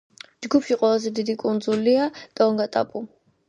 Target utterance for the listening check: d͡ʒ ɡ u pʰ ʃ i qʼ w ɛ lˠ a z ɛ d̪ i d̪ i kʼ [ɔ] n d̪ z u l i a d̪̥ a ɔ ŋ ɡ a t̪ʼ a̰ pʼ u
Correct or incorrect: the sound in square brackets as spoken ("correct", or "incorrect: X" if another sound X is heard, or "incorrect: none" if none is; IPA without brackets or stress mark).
incorrect: u